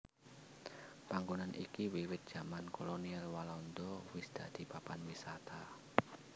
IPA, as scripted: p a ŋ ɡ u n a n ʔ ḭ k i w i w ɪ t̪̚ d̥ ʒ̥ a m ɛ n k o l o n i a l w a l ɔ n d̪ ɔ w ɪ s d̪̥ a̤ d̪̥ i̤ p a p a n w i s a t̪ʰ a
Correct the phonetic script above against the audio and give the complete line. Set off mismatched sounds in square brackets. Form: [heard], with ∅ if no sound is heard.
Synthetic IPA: p a ŋ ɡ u n a n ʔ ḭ k i w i w ɪ t̪̚ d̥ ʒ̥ a m [a] n k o l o n i a l w a l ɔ n d̪ ɔ w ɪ s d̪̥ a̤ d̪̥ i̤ p a p a n w i s a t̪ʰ a